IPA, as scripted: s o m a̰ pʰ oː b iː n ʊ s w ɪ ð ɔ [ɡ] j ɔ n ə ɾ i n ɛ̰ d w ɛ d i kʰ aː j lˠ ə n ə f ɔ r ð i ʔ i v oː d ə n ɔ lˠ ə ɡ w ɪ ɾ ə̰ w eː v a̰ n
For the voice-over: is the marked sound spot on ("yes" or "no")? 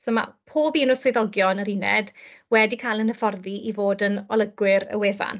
yes